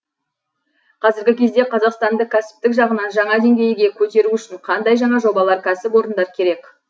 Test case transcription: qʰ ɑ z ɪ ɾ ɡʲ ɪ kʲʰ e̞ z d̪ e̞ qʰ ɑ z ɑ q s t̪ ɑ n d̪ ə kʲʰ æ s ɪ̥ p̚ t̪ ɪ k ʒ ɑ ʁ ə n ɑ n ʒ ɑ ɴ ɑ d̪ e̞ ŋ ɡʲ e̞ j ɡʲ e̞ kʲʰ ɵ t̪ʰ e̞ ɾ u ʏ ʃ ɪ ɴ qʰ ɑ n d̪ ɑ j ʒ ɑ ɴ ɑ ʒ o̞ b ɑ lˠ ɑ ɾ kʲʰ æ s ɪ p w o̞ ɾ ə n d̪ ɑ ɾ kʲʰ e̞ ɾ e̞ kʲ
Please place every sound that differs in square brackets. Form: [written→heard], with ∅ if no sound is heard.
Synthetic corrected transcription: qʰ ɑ z ɪ ɾ ɡʲ ɪ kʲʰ e̞ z d̪ e̞ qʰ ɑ z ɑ q s t̪ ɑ n d̪ ə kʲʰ æ s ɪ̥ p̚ t̪ ɪ k ʒ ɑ ʁ ə n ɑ n ʒ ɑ ɴ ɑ d̪ e̞ ŋ ɡʲ e̞ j ɡʲ e̞ kʲʰ ɵ [t̪ʰ→t̪] e̞ ɾ u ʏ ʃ ɪ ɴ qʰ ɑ n d̪ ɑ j ʒ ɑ ɴ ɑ ʒ o̞ b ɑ lˠ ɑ ɾ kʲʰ æ s ɪ p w o̞ ɾ ə n d̪ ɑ ɾ kʲʰ e̞ ɾ e̞ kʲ